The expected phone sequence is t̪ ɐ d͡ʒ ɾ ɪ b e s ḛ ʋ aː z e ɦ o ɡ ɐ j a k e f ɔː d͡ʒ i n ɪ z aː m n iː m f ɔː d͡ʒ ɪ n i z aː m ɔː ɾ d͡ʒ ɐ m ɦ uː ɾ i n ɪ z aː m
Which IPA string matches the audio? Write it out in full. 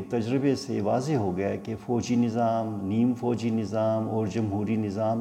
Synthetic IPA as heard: t̪ ɐ d͡ʒ ɾ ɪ b e s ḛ ʋ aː z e ɦ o ɡ ɐ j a k e f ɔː d͡ʒ i n ɪ z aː m n iː m f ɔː d͡ʒ i n ɪ z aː m ɔː ɾ d͡ʒ ɐ m ɦ uː ɾ i n ɪ z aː m